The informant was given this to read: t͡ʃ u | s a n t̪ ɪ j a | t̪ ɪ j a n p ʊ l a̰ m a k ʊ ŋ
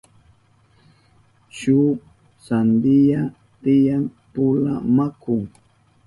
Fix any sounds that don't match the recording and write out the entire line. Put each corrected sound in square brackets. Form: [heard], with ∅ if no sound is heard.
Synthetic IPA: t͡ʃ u | s a n [d̪] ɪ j a | t̪ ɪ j a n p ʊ l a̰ m a k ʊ ŋ